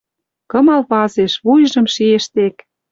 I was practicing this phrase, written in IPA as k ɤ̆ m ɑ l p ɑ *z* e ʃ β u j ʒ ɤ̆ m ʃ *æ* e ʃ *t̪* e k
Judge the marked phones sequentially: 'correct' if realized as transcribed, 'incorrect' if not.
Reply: correct, incorrect: i, correct

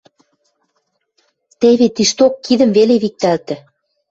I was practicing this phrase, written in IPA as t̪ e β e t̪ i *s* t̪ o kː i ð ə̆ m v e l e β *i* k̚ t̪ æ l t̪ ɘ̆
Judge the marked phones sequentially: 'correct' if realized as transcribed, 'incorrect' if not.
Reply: incorrect: ʃ, correct

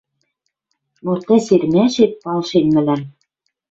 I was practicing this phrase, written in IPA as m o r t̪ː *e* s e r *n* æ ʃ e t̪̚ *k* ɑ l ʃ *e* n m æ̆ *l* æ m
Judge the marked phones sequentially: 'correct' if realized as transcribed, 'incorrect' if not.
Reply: incorrect: æ, incorrect: m, incorrect: p, correct, correct

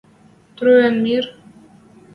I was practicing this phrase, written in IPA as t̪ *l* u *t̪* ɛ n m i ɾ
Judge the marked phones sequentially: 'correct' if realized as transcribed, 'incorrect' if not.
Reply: incorrect: ɾ, incorrect: none

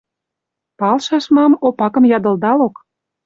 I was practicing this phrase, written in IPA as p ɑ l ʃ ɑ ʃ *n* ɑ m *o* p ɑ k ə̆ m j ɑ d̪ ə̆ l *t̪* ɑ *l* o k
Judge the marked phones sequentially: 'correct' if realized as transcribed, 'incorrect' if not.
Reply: incorrect: m, correct, incorrect: d̪, correct

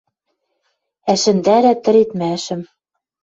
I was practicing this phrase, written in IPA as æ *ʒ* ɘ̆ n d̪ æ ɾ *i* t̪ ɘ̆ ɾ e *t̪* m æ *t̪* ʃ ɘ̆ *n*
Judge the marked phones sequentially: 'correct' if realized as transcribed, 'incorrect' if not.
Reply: incorrect: ʃ, incorrect: æ, correct, incorrect: none, incorrect: m

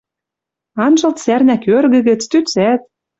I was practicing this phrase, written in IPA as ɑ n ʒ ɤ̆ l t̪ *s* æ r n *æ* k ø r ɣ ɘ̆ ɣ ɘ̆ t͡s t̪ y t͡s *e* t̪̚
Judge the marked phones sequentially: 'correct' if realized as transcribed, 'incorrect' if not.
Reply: correct, correct, incorrect: æ

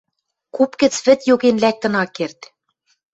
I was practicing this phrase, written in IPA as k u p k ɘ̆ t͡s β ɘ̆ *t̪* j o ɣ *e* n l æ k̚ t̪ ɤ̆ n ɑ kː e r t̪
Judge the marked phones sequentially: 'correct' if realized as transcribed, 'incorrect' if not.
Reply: correct, correct

